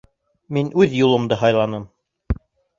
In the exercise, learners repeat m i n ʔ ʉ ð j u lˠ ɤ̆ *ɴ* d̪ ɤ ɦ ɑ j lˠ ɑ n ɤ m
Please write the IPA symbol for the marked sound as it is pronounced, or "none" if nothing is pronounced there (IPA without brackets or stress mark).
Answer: m